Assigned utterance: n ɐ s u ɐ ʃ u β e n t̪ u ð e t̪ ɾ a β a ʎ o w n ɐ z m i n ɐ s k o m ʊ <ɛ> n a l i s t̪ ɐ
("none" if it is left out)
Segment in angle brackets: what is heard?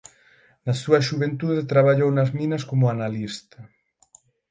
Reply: a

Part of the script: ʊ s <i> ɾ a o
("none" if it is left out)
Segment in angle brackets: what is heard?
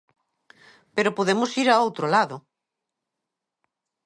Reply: i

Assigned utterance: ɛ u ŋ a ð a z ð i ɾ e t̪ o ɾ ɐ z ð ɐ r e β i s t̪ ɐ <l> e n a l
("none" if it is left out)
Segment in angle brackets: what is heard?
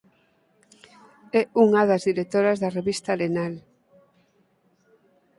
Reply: l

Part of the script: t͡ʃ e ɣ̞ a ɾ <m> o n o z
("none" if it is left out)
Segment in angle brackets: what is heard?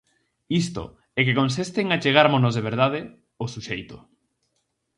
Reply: m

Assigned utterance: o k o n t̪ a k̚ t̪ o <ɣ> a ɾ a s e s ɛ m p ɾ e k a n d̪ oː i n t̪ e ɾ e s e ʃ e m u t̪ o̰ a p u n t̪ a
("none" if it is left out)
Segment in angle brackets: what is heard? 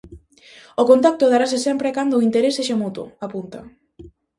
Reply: ð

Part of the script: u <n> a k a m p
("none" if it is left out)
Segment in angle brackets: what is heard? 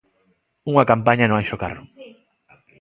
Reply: ŋ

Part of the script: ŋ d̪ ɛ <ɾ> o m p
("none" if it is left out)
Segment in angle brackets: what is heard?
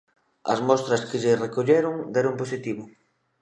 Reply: ɾ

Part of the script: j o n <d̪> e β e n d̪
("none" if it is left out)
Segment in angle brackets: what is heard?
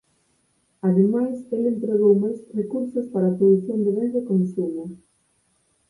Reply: d̪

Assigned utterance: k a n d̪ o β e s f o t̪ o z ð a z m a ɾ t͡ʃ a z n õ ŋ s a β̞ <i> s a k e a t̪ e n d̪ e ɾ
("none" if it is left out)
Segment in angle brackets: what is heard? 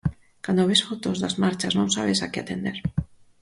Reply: e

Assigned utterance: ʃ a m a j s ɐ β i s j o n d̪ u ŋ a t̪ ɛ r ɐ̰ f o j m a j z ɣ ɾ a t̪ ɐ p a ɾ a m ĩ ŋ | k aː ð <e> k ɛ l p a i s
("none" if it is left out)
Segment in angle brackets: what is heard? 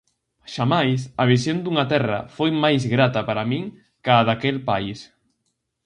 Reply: a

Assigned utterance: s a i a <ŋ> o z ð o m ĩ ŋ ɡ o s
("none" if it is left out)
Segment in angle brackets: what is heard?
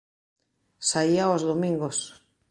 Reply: none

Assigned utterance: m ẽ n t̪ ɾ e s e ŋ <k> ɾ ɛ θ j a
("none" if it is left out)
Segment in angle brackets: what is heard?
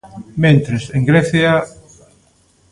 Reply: ɡ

